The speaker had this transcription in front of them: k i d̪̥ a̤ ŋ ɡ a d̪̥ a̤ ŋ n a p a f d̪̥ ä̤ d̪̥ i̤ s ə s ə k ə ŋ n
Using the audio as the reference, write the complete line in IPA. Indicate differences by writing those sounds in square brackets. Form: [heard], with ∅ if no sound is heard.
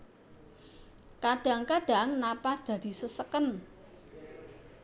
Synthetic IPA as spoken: k [a] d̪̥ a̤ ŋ [k] a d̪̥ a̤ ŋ n a p a [s] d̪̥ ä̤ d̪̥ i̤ s ə s ə k ə [∅] n